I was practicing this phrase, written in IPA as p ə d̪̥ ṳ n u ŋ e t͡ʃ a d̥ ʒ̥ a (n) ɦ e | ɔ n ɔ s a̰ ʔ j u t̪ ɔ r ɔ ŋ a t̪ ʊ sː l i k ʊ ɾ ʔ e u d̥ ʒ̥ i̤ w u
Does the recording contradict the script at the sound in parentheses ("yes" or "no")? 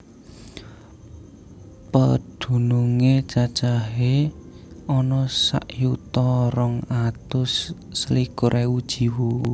yes